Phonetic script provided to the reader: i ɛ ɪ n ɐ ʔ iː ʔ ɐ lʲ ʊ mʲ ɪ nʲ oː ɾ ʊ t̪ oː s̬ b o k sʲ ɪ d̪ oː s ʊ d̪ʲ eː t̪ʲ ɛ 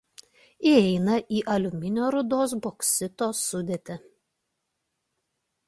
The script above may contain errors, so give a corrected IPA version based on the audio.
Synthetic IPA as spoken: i ɛ ɪ n ɐ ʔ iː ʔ ɐ lʲ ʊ mʲ ɪ nʲ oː ɾ ʊ d̪ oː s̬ b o k sʲ ɪ t̪ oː s ʊ d̪ʲ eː t̪ʲ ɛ